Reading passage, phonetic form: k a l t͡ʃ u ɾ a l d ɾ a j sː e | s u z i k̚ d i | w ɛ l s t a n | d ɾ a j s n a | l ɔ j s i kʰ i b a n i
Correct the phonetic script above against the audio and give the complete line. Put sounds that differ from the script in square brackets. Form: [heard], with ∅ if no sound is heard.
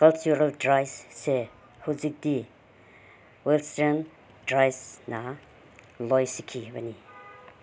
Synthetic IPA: k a l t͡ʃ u ɾ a l d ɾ a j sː e | [h] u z i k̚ d i | w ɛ l s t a n | d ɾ a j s n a | l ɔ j s i kʰ i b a n i